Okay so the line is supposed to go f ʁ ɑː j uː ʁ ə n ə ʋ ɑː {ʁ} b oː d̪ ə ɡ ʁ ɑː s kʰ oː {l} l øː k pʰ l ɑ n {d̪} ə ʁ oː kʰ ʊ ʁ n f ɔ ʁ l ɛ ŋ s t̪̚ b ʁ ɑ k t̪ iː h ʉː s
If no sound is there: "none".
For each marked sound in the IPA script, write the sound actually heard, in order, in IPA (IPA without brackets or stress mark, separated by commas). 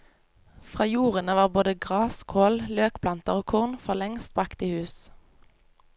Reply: ʁ, l, t̪